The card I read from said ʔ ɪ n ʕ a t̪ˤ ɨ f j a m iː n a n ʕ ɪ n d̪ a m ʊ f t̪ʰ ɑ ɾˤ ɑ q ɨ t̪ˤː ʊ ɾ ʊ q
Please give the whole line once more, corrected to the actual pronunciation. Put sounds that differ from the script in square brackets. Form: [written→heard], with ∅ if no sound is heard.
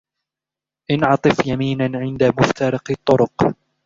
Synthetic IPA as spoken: ʔ ɪ n ʕ [a→ɑ] t̪ˤ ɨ f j a m iː n a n ʕ ɪ n d̪ a m ʊ f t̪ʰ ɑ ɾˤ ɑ q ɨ t̪ˤː ʊ ɾ ʊ q